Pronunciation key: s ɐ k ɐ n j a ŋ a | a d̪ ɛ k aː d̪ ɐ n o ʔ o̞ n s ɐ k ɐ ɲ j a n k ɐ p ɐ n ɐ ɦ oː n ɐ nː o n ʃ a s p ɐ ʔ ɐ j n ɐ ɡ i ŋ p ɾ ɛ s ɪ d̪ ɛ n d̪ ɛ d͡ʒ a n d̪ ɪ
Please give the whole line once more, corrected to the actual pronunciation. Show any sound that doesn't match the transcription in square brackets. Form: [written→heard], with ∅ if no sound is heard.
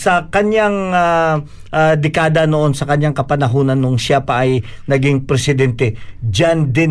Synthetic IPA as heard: s ɐ k ɐ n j a ŋ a | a d̪ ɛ k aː d̪ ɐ n o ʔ o̞ n s ɐ k ɐ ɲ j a [n→ŋ] k ɐ p ɐ n ɐ ɦ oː n ɐ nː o [n→ŋ] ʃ a [s→∅] p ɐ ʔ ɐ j n ɐ ɡ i ŋ p ɾ ɛ s ɪ d̪ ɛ n [d̪→t̪] ɛ d͡ʒ a n d̪ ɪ